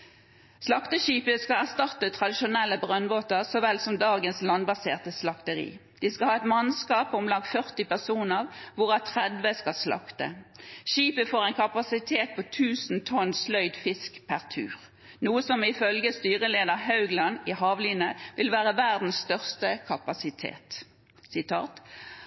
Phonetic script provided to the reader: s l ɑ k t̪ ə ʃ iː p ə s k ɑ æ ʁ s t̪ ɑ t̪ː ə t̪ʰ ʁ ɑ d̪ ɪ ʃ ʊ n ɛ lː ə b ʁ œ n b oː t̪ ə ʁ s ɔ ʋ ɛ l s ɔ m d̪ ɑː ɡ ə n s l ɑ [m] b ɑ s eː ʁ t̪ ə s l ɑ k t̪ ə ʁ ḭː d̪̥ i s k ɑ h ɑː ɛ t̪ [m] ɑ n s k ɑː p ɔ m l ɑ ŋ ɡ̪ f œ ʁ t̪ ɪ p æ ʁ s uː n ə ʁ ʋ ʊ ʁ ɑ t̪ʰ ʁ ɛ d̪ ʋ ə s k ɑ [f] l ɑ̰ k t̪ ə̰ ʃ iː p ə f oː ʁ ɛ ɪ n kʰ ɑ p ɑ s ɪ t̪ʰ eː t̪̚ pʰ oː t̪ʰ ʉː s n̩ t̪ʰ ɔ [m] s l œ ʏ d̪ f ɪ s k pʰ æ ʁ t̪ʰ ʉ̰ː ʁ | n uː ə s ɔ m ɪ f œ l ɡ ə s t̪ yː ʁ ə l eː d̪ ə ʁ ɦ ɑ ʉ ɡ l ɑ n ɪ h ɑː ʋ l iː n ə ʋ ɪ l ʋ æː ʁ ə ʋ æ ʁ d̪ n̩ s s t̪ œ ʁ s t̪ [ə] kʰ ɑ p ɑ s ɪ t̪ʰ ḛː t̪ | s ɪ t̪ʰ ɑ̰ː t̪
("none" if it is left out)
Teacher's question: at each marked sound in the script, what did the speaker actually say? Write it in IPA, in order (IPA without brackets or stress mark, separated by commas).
n, m, s, n, ə